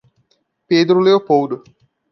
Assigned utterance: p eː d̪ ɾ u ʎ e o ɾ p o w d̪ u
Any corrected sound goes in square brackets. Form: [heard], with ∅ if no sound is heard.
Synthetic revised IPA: p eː d̪ ɾ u [l] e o [∅] p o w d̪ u